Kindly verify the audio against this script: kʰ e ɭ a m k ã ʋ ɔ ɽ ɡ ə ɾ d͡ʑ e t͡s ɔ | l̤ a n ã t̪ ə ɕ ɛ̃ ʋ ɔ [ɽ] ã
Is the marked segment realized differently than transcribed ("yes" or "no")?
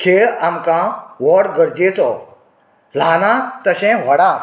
no